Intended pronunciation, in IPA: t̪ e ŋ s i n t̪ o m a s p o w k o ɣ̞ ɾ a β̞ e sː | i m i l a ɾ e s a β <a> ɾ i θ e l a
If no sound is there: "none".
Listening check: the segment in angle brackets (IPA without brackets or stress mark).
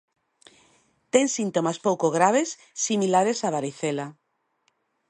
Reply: a